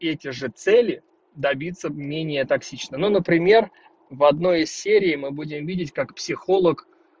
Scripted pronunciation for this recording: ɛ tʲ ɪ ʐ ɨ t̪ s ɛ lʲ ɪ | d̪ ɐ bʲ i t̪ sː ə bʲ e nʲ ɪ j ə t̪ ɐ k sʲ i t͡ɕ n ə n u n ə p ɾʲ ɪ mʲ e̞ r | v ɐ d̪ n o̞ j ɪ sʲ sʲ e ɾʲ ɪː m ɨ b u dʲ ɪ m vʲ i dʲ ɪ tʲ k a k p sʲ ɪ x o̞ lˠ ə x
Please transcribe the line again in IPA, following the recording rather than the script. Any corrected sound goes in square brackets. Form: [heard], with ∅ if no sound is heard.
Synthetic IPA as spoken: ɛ tʲ ɪ ʐ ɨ t̪ s ɛ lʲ ɪ | d̪ ɐ bʲ i t̪ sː ə [mʲ] e nʲ ɪ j ə t̪ ɐ k sʲ i t͡ɕ n ə n u n ə p ɾʲ ɪ mʲ e̞ r | v ɐ d̪ n o̞ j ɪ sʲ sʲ e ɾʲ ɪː m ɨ b u dʲ ɪ m vʲ i dʲ ɪ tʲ k a k p sʲ ɪ x o̞ lˠ ə [k]